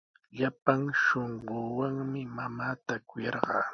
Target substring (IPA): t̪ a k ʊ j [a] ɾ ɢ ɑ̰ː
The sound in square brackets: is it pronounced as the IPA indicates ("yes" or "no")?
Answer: no